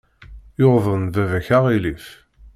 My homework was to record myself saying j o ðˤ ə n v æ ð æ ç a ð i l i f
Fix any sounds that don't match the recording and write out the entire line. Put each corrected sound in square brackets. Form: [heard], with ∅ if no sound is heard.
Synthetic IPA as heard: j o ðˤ ə n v æ [v] æ ç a [ʁ] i l i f